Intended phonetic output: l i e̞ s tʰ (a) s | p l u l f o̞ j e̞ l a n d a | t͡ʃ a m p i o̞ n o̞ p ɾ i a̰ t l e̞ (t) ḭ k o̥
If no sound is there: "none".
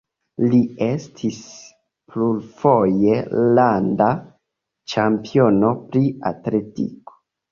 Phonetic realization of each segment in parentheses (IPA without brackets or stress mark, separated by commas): i, t